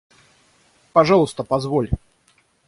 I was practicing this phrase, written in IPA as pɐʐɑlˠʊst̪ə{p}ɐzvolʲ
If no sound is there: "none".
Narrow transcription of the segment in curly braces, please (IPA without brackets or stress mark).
p